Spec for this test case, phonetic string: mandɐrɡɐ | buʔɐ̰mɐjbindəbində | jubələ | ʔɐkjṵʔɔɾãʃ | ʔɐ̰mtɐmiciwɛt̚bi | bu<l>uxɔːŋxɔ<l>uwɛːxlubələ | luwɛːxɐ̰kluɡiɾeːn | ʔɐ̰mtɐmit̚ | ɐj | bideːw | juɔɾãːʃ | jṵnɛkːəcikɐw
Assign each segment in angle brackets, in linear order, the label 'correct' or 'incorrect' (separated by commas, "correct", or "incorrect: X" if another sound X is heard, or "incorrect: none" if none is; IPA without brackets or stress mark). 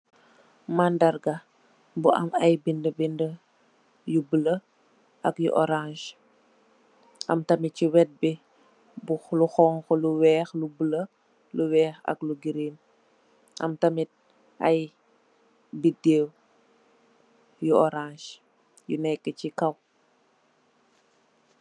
correct, correct